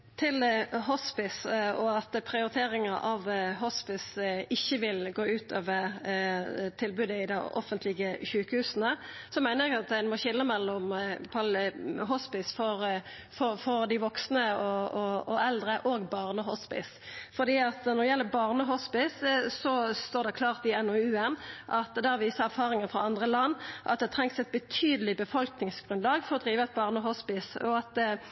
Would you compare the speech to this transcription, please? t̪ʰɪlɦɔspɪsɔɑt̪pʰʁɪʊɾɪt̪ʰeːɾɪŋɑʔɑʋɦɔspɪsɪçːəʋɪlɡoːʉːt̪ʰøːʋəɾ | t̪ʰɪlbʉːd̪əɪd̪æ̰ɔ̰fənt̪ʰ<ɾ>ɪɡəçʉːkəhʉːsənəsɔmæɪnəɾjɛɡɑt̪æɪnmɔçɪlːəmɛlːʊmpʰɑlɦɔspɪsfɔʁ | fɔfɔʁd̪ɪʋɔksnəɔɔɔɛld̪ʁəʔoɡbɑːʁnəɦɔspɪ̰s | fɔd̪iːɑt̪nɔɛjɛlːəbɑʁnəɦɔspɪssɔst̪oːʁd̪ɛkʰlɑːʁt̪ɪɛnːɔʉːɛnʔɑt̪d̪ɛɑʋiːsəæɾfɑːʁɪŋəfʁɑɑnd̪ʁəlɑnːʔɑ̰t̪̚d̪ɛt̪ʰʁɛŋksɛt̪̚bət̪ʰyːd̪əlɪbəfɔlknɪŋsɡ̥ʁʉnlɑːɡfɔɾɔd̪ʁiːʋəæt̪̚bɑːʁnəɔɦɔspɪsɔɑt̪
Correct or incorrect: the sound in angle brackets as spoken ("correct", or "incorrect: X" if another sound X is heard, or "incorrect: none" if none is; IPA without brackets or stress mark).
incorrect: l